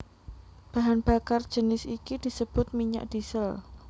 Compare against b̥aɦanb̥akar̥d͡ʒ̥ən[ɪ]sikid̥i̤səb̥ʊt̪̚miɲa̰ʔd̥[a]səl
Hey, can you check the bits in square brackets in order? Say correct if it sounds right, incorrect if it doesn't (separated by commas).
correct, incorrect